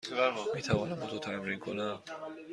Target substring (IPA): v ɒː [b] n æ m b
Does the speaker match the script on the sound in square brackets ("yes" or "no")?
no